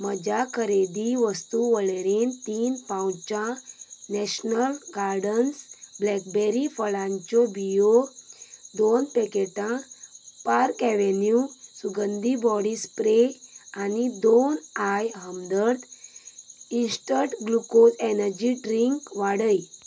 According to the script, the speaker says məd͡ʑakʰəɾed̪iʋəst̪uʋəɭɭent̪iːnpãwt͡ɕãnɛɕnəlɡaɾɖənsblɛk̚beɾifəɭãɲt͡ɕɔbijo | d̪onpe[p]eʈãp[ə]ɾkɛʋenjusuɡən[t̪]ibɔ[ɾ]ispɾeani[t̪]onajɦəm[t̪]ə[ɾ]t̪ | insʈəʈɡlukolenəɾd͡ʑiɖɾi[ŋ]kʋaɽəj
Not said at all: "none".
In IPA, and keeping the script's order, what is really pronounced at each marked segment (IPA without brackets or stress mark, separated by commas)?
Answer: k, a, d̪, ɽ, d̪, d̪, ɾ, ŋ